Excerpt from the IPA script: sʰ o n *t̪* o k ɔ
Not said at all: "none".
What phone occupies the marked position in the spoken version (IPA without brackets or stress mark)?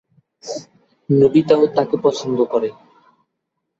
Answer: d̪